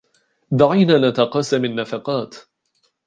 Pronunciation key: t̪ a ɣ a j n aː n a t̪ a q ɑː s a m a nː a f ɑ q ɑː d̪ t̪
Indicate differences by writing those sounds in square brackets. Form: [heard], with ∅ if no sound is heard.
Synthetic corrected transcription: [d̪] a [ʕ] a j n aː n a t̪ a q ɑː s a m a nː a f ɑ q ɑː [∅] t̪